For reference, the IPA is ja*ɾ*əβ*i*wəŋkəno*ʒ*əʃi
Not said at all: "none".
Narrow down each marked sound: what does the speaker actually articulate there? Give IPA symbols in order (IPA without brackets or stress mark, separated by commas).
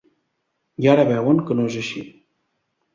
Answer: ɾ, ɛ, ʒ